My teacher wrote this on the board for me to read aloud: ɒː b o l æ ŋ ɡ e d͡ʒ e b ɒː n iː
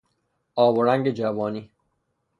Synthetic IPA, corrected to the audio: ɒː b o ɾ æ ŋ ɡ e d͡ʒ æ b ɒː n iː